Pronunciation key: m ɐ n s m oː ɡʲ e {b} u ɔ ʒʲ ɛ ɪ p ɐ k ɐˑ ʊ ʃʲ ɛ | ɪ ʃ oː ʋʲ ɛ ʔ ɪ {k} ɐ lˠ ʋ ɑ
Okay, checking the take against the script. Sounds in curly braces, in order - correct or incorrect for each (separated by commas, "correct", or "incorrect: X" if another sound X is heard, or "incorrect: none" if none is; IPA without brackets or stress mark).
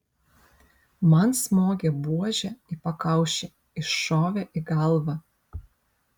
correct, incorrect: ɡ